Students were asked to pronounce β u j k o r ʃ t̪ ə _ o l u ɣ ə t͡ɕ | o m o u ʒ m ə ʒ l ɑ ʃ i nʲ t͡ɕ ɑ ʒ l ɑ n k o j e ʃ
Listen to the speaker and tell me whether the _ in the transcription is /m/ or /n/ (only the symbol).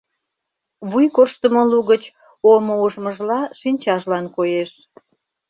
m